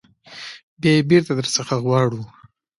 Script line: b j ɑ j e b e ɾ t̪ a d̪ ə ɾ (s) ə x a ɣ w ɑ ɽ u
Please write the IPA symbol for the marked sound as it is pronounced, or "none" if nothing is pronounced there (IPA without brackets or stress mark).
s